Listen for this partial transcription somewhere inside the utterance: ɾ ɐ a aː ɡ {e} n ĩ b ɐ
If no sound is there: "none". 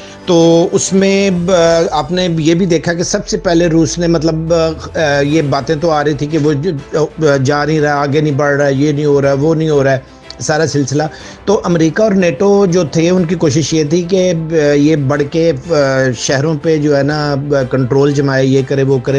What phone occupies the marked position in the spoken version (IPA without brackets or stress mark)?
e